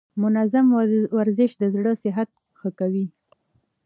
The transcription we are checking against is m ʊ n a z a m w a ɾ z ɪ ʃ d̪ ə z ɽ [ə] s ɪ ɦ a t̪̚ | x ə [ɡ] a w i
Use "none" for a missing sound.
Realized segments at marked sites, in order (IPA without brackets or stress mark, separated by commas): ə, k